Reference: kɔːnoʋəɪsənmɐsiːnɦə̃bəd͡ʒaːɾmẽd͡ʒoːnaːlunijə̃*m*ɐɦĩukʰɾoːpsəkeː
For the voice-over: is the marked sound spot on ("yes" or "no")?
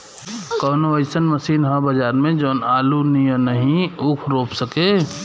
no